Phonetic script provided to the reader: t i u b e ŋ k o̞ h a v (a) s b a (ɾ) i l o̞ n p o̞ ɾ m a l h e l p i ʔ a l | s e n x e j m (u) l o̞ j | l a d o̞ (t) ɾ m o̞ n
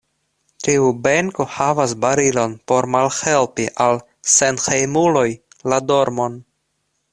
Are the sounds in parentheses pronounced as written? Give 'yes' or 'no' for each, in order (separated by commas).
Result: yes, yes, yes, no